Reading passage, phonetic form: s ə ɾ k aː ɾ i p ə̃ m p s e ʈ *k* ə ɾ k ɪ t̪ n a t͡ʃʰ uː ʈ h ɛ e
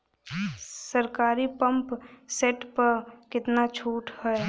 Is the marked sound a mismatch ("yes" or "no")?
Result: yes